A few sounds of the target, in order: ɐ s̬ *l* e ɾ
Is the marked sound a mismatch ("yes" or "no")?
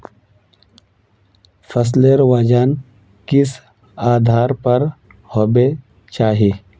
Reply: no